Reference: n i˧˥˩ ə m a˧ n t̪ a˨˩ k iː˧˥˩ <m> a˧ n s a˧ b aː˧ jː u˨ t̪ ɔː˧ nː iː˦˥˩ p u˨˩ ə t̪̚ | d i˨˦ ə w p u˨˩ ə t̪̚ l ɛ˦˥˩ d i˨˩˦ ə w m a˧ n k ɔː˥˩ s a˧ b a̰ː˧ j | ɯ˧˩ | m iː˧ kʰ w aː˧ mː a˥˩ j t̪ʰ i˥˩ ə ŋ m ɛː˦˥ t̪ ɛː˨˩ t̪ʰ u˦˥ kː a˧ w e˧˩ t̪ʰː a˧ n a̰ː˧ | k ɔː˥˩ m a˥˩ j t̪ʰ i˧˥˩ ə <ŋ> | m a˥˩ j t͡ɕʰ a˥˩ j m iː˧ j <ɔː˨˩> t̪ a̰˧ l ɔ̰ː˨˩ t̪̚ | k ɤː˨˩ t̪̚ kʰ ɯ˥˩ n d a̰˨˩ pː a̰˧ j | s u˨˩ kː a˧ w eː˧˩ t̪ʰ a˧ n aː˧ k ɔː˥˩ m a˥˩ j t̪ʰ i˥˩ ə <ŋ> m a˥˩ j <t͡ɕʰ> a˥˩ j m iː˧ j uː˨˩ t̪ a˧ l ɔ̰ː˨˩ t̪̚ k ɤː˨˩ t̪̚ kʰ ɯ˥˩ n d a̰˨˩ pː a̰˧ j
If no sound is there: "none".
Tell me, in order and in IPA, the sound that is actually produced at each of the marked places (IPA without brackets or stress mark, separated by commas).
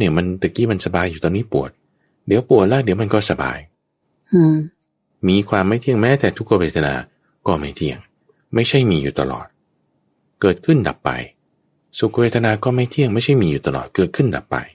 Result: m, ŋ, uː˨˩, ŋ, t͡ɕʰ